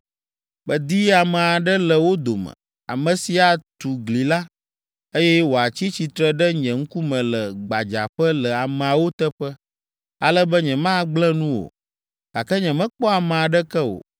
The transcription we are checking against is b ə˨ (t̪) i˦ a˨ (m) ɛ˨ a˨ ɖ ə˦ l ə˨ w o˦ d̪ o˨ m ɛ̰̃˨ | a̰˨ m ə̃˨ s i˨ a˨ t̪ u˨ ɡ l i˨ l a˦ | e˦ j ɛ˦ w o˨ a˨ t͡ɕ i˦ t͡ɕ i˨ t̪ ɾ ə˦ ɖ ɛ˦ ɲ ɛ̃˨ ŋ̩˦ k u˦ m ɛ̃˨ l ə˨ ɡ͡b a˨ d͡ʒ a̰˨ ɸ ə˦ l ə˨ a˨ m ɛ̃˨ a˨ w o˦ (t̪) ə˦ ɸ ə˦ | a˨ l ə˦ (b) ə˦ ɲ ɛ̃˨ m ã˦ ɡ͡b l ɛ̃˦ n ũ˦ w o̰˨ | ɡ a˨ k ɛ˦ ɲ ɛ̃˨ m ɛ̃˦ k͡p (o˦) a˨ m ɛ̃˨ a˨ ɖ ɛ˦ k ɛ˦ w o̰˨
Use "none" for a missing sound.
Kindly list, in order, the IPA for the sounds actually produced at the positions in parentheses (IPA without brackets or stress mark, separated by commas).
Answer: d̪, m, t̪, b, ɔ˦